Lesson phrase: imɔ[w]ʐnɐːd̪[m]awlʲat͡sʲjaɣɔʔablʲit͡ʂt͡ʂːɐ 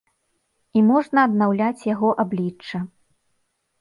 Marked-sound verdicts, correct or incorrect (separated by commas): incorrect, incorrect